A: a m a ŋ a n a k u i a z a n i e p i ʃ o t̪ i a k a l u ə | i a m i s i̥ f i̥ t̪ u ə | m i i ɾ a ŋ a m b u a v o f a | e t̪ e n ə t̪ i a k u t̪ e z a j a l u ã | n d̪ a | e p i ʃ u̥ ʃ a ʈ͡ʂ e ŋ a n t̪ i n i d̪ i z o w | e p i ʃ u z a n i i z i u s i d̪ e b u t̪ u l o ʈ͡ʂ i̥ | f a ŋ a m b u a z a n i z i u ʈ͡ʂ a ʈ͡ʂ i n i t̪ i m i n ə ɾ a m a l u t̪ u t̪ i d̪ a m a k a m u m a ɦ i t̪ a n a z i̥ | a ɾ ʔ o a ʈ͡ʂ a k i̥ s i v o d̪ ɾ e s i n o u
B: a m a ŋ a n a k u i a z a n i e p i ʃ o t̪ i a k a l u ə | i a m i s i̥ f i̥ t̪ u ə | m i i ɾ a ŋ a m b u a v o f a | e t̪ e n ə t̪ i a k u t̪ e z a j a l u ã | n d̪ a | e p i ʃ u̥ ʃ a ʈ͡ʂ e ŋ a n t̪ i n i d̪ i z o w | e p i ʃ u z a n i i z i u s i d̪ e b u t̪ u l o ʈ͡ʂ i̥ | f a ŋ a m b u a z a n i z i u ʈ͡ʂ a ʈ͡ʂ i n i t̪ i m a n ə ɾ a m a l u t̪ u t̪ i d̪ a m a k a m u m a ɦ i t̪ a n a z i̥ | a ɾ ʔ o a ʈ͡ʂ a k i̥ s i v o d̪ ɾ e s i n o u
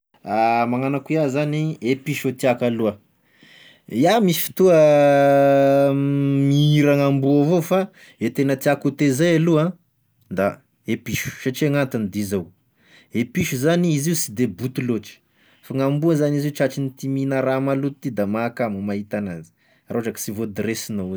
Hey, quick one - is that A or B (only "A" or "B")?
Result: A